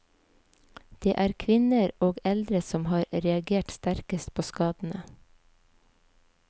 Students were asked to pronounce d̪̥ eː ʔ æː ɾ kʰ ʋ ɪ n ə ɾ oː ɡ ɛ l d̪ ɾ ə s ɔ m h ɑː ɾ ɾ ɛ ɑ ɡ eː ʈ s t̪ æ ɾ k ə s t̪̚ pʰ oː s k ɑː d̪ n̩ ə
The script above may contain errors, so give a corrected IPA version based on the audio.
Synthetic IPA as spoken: d̪̥ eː ʔ æː ɾ kʰ ʋ ɪ n ə ɾ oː ɡ ɛ l d̪ ɾ ə s ɔ m h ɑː ɾ ɾ ɛ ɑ ɡ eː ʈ s t̪ æ ɾ k ə s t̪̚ pʰ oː s k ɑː d̪ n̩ ə